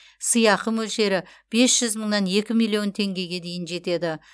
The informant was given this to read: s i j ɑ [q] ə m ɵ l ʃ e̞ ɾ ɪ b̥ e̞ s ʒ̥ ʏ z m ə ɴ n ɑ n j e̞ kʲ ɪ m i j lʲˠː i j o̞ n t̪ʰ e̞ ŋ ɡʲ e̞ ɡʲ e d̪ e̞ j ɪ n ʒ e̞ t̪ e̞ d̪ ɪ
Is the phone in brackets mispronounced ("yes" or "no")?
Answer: no